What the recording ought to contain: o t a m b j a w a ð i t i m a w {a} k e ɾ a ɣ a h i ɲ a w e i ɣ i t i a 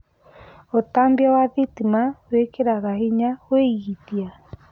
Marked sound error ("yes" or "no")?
yes